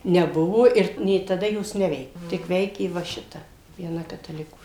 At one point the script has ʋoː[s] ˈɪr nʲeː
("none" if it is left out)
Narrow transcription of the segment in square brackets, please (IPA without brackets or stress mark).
none